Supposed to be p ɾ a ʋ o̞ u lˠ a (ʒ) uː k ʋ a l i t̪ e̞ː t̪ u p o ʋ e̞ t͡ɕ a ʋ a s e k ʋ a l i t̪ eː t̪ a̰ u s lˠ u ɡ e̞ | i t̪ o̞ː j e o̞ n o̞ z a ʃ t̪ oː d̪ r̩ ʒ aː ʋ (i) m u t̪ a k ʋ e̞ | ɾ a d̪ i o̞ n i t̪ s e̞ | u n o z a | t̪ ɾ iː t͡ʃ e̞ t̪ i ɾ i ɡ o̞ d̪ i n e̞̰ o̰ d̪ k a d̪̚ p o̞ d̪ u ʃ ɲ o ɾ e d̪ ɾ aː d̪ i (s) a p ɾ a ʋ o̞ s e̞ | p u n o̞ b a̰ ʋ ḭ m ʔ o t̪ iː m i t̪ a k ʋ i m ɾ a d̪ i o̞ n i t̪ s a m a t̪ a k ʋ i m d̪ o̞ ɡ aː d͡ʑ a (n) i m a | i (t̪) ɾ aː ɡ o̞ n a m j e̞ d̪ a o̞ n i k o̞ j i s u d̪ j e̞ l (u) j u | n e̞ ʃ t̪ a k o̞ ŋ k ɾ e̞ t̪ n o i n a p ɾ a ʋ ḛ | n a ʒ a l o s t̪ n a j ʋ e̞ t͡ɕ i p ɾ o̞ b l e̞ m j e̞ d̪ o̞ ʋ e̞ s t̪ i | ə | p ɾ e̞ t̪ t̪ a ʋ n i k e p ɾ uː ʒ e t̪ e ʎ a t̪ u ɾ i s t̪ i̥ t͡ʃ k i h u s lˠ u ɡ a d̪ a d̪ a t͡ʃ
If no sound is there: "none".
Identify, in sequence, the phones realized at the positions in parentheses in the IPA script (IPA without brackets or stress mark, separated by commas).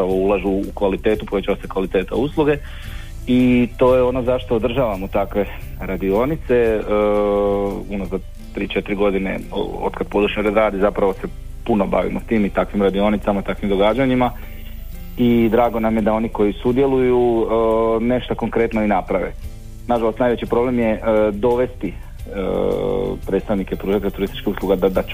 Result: ʒ, a, z, ɲ, d̪, u